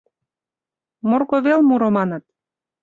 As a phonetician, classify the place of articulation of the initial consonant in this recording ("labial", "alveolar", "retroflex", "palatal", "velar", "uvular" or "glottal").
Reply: labial